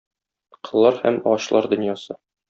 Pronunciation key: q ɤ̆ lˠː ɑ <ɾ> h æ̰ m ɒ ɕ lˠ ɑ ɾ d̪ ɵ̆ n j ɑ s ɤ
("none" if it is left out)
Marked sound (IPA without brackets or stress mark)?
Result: ɾ